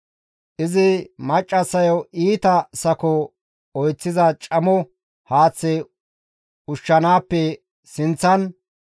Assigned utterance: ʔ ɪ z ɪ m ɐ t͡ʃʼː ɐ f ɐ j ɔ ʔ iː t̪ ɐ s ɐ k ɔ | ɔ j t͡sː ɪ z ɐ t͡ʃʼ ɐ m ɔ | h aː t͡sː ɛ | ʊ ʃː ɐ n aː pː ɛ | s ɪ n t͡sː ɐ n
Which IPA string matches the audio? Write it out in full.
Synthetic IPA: ʔ ɪ z ɪ m ɐ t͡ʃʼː ɐ s ɐ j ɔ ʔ iː t̪ ɐ s ɐ k ɔ | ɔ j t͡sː ɪ z ɐ t͡ʃʼ ɐ m ɔ | h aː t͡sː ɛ | ʊ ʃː ɐ n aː pː ɛ | s ɪ n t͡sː ɐ n